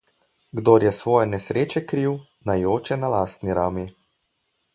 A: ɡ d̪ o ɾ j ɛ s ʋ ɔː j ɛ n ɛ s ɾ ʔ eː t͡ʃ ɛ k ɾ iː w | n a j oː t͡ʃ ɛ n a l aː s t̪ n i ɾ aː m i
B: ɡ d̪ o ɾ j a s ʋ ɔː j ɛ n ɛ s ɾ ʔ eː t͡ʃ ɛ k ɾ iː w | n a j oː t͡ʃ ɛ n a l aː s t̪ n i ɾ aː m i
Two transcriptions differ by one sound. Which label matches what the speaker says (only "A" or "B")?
A